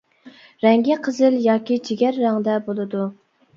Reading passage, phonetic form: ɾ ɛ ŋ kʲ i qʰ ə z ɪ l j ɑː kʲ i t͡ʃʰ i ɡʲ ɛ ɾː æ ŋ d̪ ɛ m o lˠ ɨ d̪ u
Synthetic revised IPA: ɾ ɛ ŋ ɡʲ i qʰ ə z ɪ l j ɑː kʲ i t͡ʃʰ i ɡʲ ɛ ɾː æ ŋ d̪ ɛ b o lˠ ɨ d̪ u